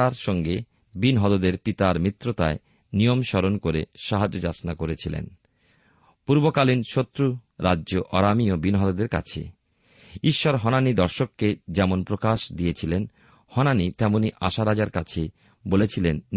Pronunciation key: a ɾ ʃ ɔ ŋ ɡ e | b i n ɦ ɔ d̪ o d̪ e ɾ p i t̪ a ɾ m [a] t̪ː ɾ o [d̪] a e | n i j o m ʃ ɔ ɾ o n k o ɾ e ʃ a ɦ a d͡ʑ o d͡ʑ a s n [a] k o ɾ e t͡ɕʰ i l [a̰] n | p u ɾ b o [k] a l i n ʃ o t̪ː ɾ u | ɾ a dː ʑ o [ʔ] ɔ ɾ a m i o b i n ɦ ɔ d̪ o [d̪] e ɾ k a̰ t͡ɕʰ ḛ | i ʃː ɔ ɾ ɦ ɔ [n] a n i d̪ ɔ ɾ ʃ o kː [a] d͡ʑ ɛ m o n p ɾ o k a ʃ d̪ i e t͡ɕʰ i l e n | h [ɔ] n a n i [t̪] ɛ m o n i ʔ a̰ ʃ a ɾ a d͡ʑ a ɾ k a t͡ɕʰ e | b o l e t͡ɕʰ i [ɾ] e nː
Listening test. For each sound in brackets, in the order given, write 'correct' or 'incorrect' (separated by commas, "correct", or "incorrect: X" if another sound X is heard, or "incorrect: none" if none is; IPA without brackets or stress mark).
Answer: incorrect: i, incorrect: t̪, correct, incorrect: ḛ, correct, correct, correct, correct, incorrect: e, correct, correct, incorrect: l